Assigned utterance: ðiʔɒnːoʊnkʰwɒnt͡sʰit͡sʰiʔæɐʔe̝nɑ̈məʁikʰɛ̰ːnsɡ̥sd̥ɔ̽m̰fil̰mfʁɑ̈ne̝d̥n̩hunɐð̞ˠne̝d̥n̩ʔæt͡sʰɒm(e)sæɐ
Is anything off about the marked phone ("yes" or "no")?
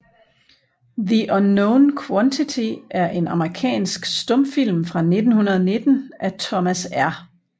yes